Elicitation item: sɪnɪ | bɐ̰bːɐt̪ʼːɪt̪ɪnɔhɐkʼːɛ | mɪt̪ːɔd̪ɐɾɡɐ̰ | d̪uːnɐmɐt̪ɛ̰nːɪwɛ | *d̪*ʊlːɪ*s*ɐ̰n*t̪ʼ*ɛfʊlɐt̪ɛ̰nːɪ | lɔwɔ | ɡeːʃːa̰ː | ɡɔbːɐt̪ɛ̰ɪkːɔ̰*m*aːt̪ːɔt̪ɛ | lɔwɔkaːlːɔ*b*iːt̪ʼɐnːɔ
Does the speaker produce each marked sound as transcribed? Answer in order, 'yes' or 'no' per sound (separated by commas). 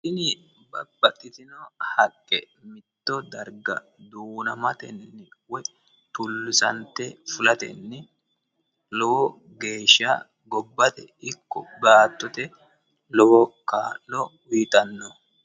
no, yes, no, no, no